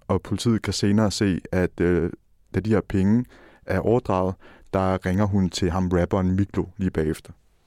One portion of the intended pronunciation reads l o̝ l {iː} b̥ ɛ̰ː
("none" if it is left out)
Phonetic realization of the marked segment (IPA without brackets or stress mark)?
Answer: iː